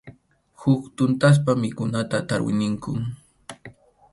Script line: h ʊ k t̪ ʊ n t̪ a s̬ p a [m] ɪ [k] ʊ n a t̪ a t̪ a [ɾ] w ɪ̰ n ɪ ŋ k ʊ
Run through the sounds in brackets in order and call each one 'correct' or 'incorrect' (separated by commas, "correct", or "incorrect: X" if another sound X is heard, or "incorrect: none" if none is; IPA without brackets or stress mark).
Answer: correct, correct, correct